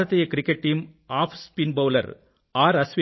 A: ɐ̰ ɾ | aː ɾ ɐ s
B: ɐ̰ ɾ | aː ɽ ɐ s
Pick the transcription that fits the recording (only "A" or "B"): A